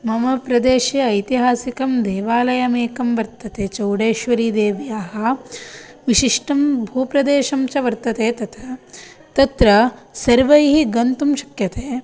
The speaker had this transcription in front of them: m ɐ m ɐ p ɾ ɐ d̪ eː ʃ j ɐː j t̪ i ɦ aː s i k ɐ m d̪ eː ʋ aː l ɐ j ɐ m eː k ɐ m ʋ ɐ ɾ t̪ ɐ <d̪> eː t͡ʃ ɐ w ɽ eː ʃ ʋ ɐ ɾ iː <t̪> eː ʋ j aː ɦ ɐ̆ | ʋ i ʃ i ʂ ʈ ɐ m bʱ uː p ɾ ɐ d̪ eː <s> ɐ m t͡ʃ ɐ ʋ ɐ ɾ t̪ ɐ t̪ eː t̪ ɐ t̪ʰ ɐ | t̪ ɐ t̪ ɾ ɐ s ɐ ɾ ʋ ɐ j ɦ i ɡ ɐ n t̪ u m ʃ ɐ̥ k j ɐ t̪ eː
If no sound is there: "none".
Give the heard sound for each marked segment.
t̪, d̪, ʃ

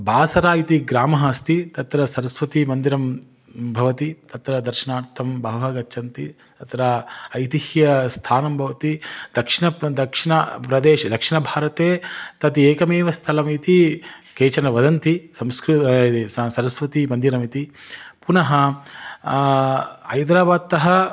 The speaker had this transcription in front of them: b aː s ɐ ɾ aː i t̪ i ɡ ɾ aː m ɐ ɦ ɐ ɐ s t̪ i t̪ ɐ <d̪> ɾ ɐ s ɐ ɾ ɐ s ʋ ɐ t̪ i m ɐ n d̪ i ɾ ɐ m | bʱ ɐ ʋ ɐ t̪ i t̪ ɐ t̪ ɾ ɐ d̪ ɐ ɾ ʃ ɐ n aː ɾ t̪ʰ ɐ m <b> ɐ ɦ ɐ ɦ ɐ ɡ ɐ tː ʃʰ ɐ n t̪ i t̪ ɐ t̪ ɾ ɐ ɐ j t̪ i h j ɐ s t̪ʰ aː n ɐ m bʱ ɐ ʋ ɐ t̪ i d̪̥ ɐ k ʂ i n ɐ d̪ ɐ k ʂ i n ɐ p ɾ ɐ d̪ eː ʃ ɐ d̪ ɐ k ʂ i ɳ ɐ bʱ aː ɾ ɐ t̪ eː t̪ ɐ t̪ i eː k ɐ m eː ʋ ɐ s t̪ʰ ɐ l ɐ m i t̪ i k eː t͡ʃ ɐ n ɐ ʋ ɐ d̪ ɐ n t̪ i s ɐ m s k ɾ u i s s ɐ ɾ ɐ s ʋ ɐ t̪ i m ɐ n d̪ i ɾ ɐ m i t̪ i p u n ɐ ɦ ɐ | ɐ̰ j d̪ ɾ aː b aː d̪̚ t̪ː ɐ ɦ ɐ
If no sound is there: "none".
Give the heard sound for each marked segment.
t̪, b

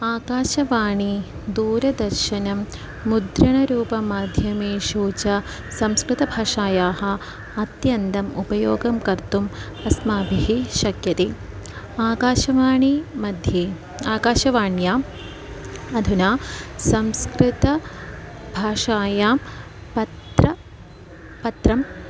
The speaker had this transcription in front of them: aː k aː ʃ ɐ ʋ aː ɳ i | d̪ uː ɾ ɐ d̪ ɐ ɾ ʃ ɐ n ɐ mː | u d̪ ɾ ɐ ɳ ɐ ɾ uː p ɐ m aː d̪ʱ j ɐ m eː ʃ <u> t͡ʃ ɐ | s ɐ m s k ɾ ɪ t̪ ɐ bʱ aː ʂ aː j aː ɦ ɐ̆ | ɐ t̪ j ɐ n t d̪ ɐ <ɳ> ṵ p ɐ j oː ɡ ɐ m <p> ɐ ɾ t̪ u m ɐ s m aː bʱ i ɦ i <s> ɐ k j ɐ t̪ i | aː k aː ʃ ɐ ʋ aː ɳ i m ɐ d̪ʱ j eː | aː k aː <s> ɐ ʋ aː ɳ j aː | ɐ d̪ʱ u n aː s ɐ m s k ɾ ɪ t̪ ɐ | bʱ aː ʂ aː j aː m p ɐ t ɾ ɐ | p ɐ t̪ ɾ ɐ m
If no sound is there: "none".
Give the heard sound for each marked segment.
uː, m, k, ʃ, ʃ

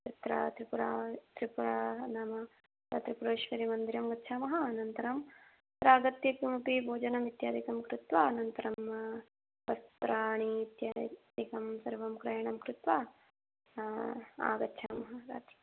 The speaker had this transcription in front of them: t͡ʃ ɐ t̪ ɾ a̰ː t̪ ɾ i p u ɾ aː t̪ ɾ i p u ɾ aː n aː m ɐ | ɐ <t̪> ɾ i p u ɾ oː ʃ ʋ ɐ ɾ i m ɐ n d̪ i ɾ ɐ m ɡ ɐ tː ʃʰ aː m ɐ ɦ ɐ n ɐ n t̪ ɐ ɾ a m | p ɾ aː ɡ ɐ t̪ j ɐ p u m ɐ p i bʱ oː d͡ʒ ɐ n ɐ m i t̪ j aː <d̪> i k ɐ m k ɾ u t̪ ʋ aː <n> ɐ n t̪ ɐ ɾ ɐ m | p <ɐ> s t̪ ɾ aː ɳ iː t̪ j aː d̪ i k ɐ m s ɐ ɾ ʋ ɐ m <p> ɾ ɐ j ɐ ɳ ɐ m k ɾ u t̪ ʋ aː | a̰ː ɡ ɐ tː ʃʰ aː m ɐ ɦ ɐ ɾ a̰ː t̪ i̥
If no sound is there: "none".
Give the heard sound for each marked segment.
t̪, d̪, n, ɐ, k

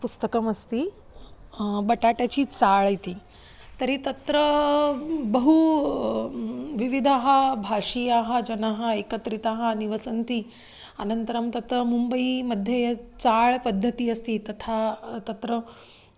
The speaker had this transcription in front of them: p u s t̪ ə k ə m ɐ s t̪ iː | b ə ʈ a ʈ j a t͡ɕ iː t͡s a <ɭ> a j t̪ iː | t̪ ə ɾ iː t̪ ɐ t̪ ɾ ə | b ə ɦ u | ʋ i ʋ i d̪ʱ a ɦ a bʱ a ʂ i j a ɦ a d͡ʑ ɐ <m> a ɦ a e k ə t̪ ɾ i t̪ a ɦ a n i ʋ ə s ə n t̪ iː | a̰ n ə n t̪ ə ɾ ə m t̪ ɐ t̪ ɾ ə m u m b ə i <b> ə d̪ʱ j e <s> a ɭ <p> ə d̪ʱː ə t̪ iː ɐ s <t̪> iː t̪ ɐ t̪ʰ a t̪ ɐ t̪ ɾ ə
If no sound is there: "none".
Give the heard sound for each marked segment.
ɭ, n, m, t͡s, p, t̪

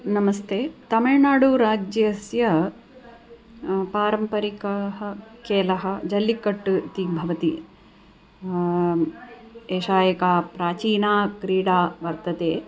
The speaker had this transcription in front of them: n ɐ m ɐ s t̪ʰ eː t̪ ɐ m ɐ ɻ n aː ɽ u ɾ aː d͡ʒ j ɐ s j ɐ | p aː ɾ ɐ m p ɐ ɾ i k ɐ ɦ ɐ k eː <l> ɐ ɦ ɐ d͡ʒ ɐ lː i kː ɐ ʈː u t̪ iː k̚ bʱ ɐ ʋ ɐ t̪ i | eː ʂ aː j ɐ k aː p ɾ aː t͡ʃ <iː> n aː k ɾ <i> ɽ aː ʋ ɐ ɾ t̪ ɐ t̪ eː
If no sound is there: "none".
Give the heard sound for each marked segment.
l, iː, iː

